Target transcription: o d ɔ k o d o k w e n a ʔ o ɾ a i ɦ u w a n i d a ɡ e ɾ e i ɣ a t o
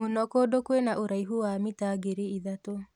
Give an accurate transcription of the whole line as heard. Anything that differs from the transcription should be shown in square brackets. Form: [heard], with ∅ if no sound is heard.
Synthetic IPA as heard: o [n] ɔ k o d o k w e n a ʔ o ɾ a i ɦ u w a [m] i [t] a ɡ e ɾ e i [ð] a t o